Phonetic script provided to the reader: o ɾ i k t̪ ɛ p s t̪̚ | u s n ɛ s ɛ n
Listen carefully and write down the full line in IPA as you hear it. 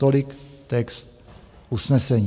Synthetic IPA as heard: o l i k t̪ ɛ k s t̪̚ | u s n ɛ s ɛ ɲ